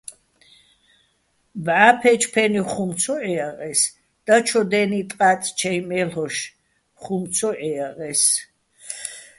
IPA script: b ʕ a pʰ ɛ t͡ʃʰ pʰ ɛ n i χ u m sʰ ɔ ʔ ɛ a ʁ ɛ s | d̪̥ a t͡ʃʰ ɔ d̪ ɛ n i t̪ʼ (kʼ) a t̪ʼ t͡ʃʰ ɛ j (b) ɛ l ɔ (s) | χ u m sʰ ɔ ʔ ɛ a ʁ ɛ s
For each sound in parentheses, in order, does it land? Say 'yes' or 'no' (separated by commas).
no, no, no